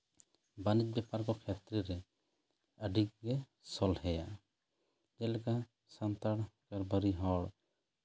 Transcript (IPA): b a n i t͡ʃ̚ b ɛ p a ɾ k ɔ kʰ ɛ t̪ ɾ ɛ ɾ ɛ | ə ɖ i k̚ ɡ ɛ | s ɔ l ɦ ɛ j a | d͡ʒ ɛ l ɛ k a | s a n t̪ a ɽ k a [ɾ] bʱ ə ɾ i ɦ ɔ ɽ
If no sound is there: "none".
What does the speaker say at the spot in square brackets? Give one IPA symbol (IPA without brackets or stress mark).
ɾ